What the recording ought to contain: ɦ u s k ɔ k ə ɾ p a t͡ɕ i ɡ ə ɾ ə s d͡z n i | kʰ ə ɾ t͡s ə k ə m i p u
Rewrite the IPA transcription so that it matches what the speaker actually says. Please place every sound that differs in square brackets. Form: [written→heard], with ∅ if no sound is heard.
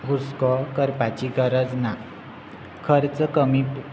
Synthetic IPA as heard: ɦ u s k ɔ k ə ɾ p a t͡ɕ i ɡ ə ɾ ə [s→∅] d͡z n [i→a] | kʰ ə ɾ t͡s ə k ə m i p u

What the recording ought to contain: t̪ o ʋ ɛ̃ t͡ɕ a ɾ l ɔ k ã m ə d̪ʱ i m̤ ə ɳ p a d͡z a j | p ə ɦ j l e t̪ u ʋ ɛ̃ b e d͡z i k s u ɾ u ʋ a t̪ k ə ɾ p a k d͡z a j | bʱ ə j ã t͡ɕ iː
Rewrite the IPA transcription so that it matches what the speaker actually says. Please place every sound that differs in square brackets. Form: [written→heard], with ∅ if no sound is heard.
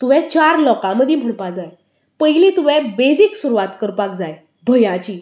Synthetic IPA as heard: t̪ [o→u] ʋ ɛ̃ t͡ɕ a ɾ l ɔ k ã m ə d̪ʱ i m̤ ə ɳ p a d͡z a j | p ə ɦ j l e t̪ u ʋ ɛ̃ b e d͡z i k s u ɾ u ʋ a t̪ k ə ɾ p a k d͡z a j | bʱ ə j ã t͡ɕ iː

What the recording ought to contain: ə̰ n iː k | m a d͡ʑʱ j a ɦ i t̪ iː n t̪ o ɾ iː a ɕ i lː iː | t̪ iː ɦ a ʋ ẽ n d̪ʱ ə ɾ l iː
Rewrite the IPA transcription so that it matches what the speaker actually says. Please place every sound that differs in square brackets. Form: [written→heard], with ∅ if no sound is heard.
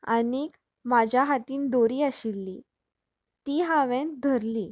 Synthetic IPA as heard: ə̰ n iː k | m a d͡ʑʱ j a ɦ [i→a] t̪ iː n [t̪→d̪] o ɾ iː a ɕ i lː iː | t̪ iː ɦ a ʋ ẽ n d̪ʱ ə ɾ l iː

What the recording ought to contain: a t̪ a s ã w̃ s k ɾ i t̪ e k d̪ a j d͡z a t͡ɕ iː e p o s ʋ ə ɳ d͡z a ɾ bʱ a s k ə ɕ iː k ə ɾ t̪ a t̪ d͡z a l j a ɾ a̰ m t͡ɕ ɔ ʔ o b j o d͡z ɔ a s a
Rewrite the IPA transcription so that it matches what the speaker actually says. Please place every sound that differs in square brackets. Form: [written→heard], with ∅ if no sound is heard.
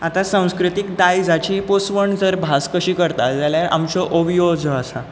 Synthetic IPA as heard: a t̪ a s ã w̃ s k ɾ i t̪ [e→i] k d̪ a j d͡z a t͡ɕ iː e p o s ʋ ə ɳ d͡z [a→ə] ɾ bʱ a s k ə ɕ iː k ə ɾ t̪ a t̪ d͡z a l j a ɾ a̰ m t͡ɕ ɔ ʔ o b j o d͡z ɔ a s a

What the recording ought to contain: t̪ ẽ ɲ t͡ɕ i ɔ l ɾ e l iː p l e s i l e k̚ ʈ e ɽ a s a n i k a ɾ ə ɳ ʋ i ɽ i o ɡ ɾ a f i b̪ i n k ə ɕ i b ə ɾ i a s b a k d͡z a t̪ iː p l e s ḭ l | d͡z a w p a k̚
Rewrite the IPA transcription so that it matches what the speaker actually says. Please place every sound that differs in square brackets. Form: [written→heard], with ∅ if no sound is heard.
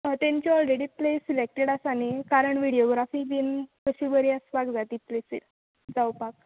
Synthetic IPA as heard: t̪ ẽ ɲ t͡ɕ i ɔ l ɾ e [l→ɽ] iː p l e s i l e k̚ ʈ e ɽ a s a n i k a ɾ ə ɳ ʋ i ɽ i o ɡ ɾ a f i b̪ i n k ə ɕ i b ə ɾ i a s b a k d͡z a t̪ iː p l e s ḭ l | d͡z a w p a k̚

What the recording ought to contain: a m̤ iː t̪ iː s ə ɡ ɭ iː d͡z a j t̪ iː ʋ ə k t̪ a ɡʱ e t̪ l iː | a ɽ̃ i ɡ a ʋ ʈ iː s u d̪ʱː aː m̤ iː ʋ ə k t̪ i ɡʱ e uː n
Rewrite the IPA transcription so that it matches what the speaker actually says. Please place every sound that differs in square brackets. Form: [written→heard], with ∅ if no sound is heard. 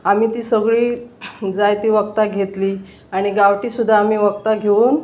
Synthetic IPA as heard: a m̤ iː t̪ iː s ə ɡ ɭ iː d͡z a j t̪ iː ʋ ə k t̪ a ɡʱ e t̪ l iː | a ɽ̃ i ɡ a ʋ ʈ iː s u d̪ʱː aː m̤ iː ʋ ə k t̪ [i→a] ɡʱ e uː n

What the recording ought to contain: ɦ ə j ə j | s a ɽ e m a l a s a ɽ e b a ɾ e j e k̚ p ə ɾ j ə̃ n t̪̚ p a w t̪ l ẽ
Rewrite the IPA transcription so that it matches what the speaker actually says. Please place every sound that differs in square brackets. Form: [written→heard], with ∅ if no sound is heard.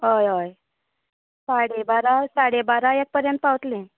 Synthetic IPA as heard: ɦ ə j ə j | s a ɽ e [m→b] a [l→ɾ] a s a ɽ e b a ɾ [e→a] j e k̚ p ə ɾ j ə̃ n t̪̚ p a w t̪ l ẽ

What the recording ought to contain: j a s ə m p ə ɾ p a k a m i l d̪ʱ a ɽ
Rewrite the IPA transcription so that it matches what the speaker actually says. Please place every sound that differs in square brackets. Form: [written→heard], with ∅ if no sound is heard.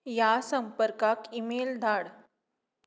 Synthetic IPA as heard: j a s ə m p ə ɾ [p→k] a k [a→i] m [i→e] l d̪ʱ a ɽ

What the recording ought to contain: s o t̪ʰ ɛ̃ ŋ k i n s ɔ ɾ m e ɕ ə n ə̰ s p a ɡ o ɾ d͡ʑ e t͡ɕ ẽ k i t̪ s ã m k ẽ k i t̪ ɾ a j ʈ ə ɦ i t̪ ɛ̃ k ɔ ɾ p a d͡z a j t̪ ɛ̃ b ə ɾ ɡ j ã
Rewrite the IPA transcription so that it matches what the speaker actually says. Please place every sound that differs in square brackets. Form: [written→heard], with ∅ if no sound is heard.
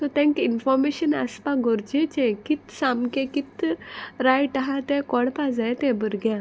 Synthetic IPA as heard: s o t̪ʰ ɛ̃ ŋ k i n [s→f] ɔ ɾ m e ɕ ə n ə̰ s p a ɡ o ɾ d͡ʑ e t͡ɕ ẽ k i t̪ s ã m k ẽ k i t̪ ɾ a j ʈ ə ɦ [i→a] t̪ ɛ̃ k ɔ [ɾ→ɽ] p a d͡z a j t̪ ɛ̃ b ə ɾ ɡ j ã

